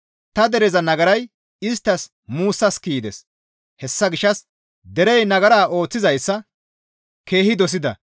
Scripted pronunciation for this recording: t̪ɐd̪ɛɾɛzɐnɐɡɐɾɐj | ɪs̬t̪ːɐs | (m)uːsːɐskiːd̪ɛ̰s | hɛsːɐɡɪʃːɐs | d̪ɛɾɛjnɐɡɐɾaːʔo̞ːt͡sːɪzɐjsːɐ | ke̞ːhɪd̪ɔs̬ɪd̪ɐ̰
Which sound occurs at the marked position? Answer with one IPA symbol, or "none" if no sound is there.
m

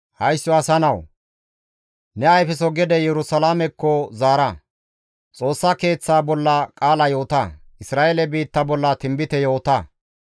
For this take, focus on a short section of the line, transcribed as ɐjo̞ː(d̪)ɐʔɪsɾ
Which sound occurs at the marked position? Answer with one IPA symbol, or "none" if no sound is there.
t̪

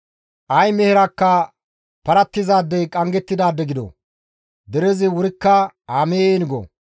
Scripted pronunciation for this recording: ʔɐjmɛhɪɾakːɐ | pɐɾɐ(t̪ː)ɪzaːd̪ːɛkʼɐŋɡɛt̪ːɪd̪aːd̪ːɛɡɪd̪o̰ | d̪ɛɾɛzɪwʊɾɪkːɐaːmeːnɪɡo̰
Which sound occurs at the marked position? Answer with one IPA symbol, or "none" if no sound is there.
t̪ː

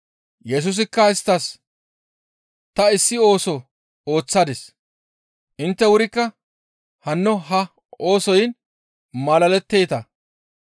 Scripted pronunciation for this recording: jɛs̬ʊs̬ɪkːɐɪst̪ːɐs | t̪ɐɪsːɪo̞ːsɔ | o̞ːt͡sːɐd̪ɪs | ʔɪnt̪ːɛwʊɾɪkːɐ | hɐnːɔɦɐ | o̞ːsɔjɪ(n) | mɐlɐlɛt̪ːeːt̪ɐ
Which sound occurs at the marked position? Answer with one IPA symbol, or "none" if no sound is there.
n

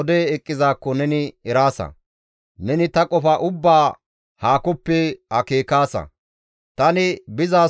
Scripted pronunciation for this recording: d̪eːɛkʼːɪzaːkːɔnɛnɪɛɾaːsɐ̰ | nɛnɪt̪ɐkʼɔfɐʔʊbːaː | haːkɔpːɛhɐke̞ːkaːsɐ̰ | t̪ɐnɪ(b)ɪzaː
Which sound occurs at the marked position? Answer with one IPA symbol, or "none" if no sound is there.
b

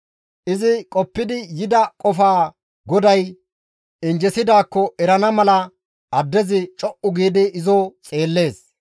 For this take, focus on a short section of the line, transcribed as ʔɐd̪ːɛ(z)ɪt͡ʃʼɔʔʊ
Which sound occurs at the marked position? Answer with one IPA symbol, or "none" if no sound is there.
z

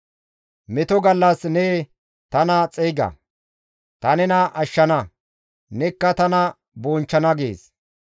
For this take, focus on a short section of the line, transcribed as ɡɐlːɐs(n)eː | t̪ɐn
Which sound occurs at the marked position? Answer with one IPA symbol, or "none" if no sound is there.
n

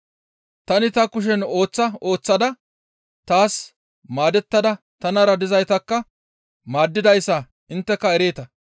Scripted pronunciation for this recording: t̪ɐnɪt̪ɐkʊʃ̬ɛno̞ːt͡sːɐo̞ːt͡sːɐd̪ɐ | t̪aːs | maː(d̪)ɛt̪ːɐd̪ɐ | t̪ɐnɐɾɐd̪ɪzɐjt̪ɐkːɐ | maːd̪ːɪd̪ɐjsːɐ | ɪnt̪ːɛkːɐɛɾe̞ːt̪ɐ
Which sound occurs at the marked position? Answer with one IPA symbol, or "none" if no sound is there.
d̪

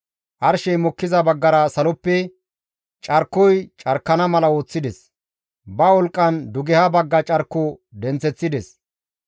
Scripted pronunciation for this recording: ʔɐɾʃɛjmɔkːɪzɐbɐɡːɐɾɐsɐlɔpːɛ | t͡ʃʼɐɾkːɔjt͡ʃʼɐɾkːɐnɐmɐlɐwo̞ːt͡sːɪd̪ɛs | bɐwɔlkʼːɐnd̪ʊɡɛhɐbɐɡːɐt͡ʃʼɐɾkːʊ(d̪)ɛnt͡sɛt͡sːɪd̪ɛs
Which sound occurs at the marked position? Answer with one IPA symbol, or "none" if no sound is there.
d̪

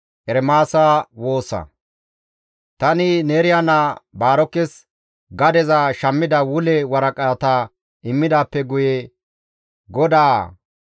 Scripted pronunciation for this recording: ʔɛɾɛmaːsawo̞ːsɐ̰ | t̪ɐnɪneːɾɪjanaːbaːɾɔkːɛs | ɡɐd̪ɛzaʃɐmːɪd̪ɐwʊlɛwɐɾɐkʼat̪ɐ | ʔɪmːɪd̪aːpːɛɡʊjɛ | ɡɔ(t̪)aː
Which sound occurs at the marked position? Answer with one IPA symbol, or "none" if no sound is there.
d̪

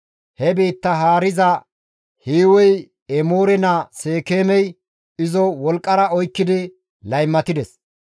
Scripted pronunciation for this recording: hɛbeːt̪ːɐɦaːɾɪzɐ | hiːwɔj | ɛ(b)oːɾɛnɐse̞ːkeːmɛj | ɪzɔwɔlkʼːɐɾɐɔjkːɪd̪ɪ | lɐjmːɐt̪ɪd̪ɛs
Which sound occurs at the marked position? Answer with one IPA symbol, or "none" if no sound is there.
m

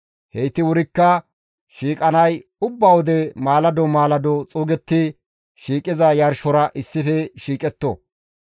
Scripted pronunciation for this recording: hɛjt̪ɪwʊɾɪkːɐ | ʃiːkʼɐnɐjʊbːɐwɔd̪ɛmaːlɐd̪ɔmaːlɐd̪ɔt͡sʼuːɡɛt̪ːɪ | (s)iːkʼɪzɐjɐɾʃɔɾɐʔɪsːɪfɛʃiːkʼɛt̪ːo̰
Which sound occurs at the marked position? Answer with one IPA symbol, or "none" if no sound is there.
ʃ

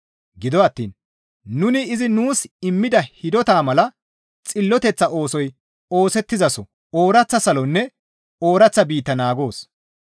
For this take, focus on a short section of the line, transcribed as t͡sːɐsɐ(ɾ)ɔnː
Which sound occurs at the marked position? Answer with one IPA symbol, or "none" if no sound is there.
l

